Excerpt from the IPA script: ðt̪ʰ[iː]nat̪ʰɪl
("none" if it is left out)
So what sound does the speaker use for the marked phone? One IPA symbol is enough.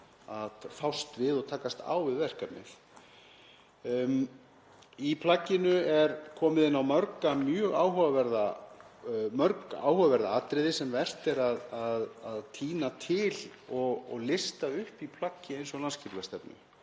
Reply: iː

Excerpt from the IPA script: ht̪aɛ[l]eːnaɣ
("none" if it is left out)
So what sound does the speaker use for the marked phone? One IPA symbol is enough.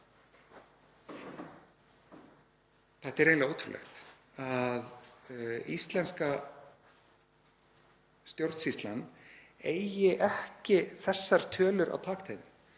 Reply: ɾ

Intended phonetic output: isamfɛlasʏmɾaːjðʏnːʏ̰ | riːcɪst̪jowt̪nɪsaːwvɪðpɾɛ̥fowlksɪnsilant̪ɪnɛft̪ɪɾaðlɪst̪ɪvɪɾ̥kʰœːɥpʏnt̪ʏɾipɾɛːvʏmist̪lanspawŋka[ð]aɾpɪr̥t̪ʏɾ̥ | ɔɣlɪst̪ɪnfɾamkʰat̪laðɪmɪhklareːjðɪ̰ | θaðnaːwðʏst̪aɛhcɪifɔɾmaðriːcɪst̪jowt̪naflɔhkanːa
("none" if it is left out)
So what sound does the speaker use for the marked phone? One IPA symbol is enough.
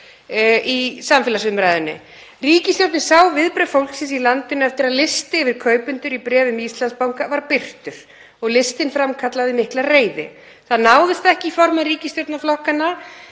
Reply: v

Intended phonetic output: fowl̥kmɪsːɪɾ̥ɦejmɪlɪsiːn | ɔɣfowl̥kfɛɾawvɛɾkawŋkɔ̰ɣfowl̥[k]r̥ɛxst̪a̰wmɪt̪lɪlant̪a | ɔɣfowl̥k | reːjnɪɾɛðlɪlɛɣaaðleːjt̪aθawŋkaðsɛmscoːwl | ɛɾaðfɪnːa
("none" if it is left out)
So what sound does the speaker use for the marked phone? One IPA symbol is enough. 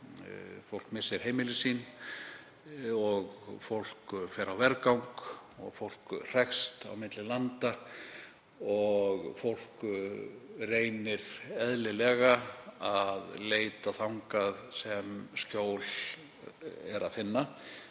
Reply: k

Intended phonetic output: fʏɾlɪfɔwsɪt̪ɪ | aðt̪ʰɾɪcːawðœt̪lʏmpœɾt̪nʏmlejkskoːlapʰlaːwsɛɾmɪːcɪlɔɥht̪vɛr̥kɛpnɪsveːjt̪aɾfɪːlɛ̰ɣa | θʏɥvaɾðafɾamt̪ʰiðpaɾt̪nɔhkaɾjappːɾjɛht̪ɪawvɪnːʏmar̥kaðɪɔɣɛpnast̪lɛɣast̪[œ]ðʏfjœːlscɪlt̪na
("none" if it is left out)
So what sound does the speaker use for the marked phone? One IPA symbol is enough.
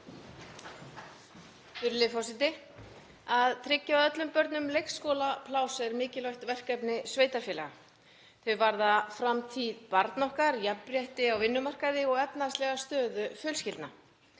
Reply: œː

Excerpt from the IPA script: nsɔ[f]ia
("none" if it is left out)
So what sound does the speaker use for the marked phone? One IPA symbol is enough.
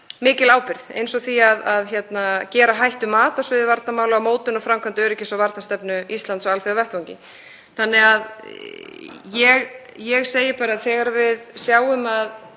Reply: θ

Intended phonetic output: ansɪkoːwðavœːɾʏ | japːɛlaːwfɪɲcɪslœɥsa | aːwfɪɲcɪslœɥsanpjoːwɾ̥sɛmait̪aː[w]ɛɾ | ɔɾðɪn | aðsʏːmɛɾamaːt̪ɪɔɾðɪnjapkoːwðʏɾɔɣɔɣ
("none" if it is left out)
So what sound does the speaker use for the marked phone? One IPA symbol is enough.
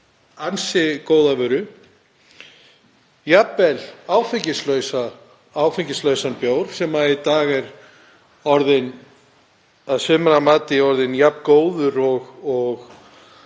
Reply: ɣ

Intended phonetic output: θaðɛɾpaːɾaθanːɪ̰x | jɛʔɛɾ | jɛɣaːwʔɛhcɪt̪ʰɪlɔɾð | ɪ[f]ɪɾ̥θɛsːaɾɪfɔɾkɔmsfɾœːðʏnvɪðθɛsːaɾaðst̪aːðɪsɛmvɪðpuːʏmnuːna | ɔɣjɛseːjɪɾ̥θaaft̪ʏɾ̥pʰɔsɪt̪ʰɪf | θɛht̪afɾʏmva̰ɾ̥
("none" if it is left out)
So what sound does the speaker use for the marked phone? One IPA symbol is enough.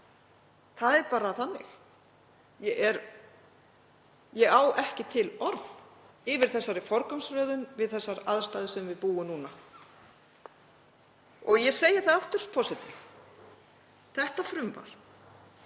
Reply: v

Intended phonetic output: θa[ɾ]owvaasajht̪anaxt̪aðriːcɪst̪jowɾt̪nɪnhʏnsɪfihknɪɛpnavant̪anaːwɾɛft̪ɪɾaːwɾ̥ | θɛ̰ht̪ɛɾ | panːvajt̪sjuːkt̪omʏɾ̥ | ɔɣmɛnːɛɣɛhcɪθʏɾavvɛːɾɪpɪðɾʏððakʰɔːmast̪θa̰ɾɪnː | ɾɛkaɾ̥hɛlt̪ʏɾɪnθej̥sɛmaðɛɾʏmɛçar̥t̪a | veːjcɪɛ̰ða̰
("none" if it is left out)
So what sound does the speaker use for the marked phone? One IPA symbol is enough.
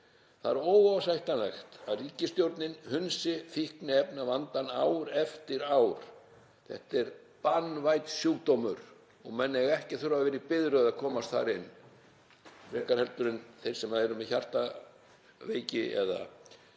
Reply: ɾ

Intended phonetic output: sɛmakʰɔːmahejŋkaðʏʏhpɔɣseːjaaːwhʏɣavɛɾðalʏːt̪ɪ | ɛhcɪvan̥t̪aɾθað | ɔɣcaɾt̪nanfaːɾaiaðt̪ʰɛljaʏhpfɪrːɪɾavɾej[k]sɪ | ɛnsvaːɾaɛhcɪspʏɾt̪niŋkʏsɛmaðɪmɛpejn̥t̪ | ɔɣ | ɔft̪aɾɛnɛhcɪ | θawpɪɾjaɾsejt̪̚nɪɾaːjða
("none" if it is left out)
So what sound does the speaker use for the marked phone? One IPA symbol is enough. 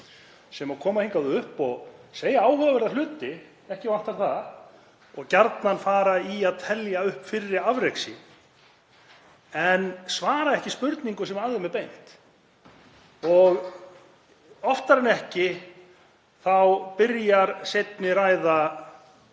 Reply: k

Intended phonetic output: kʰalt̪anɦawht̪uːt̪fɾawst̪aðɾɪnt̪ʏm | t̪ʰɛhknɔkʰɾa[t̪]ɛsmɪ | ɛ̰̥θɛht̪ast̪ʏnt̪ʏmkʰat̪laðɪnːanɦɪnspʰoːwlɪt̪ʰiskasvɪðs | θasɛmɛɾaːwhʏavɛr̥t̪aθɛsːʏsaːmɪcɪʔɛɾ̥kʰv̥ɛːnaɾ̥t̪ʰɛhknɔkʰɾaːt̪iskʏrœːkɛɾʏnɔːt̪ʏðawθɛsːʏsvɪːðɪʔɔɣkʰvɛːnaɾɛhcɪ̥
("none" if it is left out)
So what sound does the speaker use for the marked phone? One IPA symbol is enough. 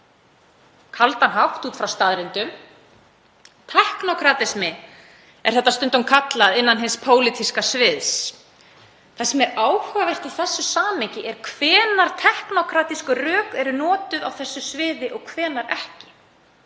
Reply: t̪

